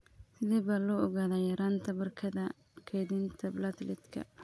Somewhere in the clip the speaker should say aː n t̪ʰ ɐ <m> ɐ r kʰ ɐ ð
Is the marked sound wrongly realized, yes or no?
yes